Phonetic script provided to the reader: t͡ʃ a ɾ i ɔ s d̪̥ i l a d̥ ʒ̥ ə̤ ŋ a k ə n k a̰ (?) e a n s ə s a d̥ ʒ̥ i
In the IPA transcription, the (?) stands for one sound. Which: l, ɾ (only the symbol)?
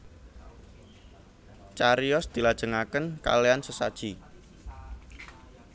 l